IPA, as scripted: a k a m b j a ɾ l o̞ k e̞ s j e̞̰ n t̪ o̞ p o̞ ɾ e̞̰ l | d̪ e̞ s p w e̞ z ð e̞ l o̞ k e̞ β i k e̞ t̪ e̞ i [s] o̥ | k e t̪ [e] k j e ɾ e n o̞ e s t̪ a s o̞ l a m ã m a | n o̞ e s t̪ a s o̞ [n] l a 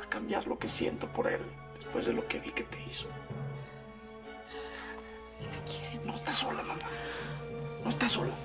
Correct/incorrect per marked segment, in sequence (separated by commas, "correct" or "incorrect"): correct, correct, incorrect